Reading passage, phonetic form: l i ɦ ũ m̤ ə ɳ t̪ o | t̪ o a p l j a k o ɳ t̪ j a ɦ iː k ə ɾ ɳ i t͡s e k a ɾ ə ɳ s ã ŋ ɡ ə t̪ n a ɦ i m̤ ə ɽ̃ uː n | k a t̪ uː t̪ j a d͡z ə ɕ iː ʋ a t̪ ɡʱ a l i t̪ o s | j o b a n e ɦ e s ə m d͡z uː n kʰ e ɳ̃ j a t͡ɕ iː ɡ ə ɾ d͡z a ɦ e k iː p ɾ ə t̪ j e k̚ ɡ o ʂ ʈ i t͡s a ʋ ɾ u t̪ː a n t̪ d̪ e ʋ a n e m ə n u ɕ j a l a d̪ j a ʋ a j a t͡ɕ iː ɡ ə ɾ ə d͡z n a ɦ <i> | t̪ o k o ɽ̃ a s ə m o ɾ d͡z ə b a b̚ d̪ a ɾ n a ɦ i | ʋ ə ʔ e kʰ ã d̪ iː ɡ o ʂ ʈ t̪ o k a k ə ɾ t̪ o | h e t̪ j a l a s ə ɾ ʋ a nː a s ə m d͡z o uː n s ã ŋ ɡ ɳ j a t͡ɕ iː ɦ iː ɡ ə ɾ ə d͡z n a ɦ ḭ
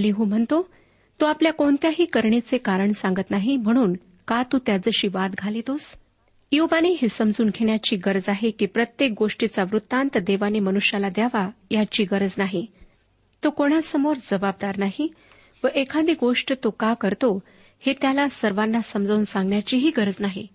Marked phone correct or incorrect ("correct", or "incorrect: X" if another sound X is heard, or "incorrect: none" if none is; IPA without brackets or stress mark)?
correct